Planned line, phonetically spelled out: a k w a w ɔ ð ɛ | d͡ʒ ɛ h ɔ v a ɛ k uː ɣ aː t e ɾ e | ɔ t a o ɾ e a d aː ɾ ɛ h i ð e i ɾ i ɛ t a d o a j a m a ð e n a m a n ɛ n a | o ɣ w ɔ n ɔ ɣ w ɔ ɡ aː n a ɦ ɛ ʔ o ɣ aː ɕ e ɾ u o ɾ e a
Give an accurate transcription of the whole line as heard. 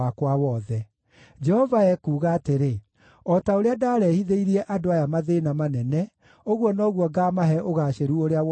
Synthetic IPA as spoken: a k w a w ɔ ð ɛ | d͡ʒ ɛ h ɔ v a ɛ k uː ɣ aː t e ɾ e | ɔ t a o ɾ e a d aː ɾ ɛ h i ð e i ɾ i ɛ ʔ a d o a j a m a ð e n a m a n ɛ n ɛ | o ɣ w ɔ n ɔ ɣ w ɔ ɡ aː m a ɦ ɛ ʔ o ɣ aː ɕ e ɾ u o ɾ e a